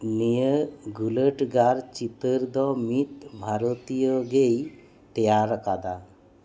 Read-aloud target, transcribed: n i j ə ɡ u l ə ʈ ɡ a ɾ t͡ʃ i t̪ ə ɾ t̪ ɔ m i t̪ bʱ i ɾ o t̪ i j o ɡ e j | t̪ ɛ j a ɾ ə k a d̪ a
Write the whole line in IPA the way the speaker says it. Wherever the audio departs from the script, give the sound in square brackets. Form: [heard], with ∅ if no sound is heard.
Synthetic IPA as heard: n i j ə ɡ u l ə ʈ ɡ a ɾ t͡ʃ i t̪ ə ɾ [d̪] ɔ m i t̪ bʱ [a] ɾ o t̪ i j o ɡ e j | t̪ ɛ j a ɾ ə k a d̪ a